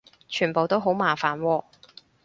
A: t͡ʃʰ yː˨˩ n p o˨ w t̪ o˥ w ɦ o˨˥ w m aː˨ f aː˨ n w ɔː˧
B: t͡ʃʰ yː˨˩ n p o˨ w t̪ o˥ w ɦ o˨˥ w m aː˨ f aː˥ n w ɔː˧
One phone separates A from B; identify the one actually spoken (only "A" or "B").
A